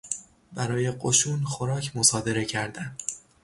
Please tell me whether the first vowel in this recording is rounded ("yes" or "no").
no